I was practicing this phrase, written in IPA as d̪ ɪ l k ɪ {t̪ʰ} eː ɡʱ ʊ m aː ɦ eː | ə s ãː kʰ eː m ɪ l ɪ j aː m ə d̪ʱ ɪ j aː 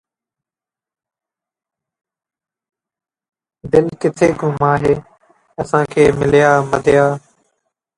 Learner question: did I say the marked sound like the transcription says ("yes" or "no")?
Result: yes